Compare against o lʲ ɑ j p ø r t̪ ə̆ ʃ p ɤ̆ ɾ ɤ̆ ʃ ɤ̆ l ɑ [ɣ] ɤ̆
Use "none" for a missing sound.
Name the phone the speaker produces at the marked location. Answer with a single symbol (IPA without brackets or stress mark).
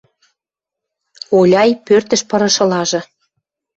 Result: ʒ